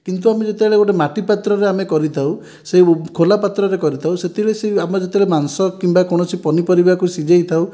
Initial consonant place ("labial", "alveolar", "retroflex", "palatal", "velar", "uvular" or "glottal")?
velar